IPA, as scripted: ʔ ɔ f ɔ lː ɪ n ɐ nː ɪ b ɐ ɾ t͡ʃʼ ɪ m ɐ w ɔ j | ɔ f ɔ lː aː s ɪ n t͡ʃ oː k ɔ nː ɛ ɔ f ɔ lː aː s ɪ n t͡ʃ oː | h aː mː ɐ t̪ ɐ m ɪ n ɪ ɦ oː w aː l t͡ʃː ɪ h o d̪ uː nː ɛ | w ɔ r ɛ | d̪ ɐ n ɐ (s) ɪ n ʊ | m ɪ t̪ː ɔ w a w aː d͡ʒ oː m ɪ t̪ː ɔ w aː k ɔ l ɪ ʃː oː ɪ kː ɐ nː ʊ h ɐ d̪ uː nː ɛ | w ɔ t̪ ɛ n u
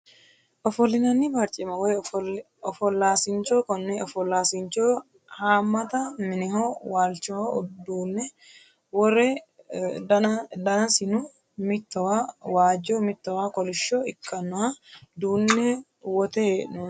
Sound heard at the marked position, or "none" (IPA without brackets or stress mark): s